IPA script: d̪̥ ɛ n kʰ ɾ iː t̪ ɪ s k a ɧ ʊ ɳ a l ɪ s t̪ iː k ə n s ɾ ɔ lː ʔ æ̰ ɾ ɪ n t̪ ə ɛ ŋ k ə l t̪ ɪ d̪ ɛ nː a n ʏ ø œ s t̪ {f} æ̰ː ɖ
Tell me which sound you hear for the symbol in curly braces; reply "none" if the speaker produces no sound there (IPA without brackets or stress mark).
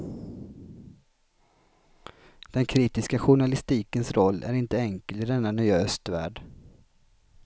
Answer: v